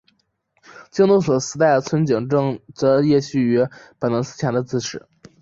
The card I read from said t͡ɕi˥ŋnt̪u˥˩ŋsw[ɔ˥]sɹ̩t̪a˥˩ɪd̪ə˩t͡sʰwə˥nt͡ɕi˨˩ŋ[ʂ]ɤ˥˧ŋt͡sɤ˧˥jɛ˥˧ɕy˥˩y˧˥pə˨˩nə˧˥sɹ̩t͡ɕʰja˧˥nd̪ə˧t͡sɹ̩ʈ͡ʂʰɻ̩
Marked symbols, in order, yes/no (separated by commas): no, no